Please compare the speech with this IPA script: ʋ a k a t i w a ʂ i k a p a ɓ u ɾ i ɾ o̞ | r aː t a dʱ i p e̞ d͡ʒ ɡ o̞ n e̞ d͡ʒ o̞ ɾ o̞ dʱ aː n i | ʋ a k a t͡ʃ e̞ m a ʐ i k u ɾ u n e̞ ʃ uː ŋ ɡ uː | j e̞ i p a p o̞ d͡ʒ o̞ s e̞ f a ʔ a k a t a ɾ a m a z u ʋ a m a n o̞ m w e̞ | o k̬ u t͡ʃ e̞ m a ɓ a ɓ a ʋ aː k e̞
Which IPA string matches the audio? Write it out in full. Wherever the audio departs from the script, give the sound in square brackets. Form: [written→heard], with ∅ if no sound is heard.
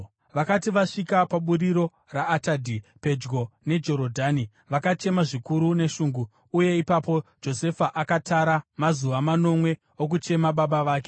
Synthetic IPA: ʋ a k a t i [w→ʋ] a ʂ i k a p a ɓ u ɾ i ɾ o̞ | r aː t a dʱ i p e̞ d͡ʒ ɡ o̞ n e̞ d͡ʒ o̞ ɾ o̞ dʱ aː n i | ʋ a k a t͡ʃ e̞ m a ʐ i k u ɾ u n e̞ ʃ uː ŋ ɡ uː | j e̞ i p a p o̞ d͡ʒ o̞ s e̞ f a ʔ a k a t a ɾ a m a z u ʋ a m a n o̞ m w e̞ | o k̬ u t͡ʃ e̞ m a ɓ a ɓ a ʋ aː k e̞